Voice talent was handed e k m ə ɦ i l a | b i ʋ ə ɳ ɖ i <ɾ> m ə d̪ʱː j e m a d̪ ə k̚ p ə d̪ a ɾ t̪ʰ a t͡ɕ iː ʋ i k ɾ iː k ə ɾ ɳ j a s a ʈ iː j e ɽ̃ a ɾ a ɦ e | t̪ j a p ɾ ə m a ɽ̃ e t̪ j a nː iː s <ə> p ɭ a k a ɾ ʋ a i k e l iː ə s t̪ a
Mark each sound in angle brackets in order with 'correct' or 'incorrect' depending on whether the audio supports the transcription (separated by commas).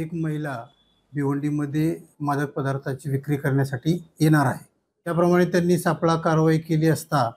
incorrect, incorrect